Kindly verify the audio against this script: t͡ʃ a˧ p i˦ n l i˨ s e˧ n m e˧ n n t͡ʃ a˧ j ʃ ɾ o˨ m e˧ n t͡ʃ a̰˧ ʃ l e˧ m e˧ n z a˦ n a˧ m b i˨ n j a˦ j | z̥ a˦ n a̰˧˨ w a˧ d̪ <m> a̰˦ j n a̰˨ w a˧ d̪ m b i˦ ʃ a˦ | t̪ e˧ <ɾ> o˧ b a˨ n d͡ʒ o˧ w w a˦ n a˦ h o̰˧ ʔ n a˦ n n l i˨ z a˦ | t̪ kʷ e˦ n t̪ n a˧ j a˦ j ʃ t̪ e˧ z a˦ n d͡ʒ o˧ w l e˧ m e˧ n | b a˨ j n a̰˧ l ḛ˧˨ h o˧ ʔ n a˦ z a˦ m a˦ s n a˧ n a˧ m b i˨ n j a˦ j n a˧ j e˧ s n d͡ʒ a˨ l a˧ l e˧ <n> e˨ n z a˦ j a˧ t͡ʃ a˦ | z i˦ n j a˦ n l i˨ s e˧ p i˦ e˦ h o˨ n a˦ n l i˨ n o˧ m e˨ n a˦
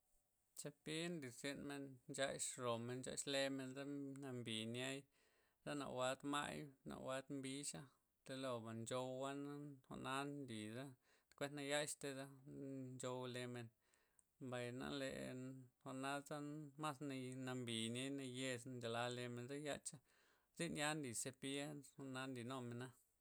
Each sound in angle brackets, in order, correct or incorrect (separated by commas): correct, incorrect, incorrect